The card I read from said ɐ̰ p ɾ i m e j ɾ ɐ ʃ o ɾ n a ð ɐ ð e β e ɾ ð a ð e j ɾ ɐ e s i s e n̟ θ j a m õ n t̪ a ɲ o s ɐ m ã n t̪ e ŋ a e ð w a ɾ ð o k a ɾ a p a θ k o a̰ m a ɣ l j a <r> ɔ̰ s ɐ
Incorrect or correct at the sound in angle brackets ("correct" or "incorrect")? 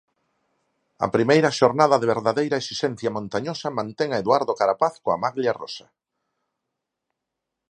correct